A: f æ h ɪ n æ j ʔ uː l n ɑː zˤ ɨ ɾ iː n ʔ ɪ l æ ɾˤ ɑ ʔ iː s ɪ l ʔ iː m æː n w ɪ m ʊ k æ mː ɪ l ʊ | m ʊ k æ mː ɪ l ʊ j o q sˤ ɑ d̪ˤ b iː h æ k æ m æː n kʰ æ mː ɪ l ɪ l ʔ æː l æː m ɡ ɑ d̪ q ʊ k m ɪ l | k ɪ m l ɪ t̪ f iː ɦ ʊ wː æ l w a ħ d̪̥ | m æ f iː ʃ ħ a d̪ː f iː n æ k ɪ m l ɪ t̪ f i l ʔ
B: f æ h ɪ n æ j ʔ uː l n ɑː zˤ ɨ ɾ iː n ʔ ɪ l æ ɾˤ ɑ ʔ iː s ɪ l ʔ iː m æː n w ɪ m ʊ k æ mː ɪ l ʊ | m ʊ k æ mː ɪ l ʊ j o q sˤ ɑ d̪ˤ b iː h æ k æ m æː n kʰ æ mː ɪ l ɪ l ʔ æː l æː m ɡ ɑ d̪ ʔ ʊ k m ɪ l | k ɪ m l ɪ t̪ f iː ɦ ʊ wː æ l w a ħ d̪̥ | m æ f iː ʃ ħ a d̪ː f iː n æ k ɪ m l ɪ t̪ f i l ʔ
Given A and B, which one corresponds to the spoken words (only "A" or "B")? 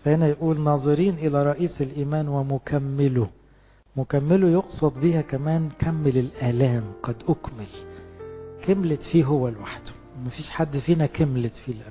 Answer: B